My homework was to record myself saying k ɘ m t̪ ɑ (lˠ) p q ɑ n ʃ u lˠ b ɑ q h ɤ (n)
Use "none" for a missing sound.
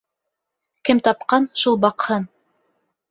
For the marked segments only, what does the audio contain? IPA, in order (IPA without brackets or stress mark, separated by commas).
none, n